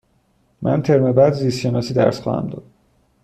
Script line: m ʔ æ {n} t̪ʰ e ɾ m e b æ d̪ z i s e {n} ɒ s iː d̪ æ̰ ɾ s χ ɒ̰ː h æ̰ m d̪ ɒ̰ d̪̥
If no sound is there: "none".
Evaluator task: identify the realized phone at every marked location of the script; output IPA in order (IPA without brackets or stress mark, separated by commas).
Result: n, n